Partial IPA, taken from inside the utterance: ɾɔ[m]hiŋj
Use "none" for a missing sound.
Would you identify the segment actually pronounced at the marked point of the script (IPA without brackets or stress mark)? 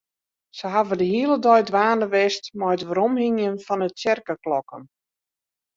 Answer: m